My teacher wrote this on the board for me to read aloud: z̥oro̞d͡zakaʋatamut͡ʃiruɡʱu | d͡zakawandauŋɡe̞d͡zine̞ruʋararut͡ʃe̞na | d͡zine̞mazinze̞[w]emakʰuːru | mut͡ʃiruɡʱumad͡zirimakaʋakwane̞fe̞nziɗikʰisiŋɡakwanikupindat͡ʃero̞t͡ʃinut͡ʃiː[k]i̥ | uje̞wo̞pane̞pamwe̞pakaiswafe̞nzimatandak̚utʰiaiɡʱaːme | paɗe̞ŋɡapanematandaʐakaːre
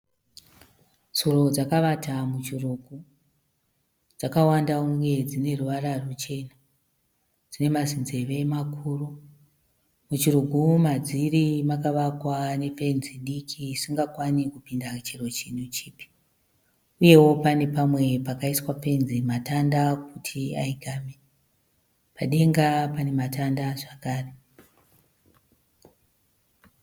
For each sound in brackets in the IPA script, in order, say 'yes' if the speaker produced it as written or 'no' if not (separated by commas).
no, no